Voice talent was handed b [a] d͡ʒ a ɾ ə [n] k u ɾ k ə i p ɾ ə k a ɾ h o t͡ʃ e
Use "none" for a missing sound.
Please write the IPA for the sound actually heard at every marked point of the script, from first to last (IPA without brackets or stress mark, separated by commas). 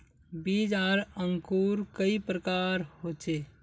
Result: i, ŋ